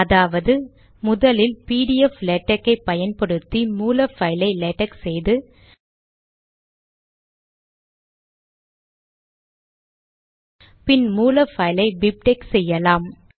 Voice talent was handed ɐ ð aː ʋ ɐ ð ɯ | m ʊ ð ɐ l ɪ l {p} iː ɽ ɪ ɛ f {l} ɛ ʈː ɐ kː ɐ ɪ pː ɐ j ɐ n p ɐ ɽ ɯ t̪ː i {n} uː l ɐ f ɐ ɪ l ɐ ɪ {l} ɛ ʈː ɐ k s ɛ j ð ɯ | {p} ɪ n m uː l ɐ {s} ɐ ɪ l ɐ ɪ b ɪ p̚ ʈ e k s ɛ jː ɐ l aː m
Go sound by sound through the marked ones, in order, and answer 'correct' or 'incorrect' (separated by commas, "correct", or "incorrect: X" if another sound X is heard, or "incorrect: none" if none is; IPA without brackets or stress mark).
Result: correct, correct, incorrect: m, correct, correct, incorrect: f